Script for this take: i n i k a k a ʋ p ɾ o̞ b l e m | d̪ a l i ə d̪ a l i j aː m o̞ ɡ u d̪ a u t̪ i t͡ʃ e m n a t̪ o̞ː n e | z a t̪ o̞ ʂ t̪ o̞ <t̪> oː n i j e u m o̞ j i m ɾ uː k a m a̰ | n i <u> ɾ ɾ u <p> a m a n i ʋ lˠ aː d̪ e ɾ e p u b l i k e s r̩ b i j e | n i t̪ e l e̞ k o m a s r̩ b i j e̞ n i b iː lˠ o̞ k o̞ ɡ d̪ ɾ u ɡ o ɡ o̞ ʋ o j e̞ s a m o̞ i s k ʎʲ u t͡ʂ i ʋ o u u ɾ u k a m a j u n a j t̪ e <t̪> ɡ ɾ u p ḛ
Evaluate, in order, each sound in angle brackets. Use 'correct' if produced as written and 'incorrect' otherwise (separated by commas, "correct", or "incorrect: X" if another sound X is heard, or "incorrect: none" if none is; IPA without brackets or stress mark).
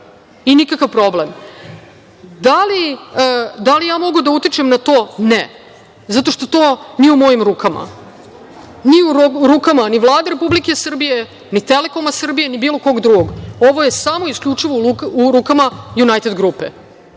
correct, correct, incorrect: k, incorrect: d̪